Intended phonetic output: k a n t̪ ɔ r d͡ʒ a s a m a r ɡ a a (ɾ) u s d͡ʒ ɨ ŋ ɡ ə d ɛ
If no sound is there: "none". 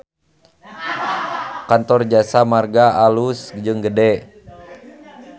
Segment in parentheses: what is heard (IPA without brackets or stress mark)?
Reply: l